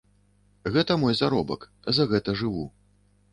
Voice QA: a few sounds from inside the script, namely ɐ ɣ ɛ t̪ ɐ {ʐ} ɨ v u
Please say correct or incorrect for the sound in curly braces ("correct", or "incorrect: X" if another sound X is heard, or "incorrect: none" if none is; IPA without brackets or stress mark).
correct